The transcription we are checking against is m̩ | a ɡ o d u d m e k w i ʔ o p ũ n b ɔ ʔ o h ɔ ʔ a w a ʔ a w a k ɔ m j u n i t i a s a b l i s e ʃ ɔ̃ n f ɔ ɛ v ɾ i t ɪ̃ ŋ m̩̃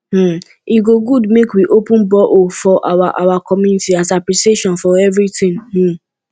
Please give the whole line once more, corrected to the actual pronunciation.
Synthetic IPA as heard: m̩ | i ɡ o ɡ u d m e k w i ʔ o p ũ n b ɔ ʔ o f ɔ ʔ a w a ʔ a w a k ɔ m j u n i t i a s a p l i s e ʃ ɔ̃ n f ɔ ɛ v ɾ i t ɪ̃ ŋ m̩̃